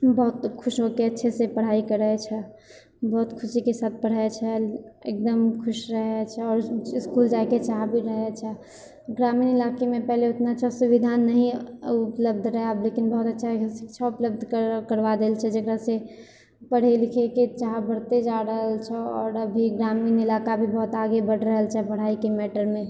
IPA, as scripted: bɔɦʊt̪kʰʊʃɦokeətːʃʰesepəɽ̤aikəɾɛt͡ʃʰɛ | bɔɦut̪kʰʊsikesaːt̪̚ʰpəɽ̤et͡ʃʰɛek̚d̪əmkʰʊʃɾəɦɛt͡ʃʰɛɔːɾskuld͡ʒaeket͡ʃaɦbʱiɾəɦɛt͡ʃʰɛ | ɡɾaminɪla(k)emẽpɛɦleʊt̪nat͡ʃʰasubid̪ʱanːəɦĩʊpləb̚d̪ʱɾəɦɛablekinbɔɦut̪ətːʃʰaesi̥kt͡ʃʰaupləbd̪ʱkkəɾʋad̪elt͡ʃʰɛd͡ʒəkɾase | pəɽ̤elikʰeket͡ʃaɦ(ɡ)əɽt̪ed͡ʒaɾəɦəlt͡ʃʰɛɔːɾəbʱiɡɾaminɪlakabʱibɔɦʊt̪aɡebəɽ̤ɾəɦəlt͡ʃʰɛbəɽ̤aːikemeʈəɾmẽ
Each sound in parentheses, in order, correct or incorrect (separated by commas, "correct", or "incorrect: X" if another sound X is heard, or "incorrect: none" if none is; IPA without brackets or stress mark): correct, incorrect: b